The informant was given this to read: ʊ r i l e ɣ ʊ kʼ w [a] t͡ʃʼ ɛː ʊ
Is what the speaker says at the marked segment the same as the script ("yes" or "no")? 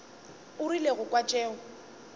yes